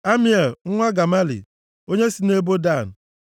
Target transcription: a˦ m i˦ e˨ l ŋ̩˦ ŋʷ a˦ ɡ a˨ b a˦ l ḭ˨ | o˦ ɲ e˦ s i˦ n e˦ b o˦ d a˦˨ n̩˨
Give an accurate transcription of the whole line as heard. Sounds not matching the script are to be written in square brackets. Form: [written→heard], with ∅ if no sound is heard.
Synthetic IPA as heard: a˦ m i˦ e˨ l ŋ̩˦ ŋʷ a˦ ɡ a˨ [b→m] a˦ l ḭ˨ | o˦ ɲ e˦ s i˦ n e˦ b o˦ d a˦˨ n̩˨